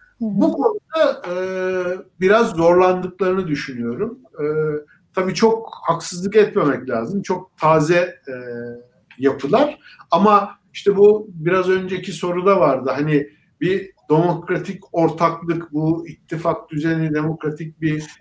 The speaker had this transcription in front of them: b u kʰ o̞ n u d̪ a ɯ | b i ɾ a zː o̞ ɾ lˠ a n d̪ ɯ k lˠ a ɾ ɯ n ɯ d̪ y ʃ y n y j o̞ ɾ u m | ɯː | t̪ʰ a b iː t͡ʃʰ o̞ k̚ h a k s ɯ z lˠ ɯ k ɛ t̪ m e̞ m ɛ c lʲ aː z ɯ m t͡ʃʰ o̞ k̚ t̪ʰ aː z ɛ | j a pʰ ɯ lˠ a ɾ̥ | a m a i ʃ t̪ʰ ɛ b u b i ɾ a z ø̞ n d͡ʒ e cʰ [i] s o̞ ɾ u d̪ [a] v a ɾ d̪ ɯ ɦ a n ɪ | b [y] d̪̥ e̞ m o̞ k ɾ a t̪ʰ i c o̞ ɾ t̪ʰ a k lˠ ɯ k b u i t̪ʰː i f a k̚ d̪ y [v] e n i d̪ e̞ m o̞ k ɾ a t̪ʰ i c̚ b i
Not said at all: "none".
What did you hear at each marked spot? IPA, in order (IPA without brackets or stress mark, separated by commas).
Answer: i, a, i, z